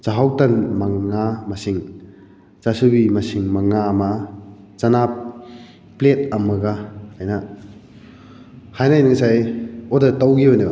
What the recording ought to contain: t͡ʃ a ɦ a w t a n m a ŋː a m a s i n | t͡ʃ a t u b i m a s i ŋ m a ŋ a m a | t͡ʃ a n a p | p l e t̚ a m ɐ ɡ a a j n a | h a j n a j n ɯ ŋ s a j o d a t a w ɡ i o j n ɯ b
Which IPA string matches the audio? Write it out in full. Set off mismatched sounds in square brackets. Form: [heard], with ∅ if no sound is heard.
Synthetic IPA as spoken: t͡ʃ a ɦ a w t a n m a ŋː a m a s i [ŋ] | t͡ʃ a [s] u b i m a s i ŋ m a ŋ a m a | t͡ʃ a n a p | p l e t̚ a m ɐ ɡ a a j n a | h a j n a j n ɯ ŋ s a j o d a t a w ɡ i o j n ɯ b